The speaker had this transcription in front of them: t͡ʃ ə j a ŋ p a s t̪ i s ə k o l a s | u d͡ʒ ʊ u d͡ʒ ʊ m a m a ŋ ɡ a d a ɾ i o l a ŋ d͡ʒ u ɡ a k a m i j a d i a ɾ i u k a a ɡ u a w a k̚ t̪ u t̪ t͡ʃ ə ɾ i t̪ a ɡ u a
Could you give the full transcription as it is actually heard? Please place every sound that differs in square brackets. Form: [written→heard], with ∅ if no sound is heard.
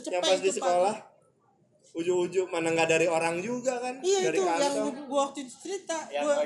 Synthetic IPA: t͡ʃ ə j a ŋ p a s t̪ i s ə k o l a [s→h] | u d͡ʒ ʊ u d͡ʒ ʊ m a [m→n] a ŋ ɡ a d a ɾ i o [l→ɾ] a ŋ d͡ʒ u ɡ a k a [m→n] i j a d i a ɾ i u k a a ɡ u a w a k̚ t̪ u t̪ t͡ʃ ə ɾ i t̪ a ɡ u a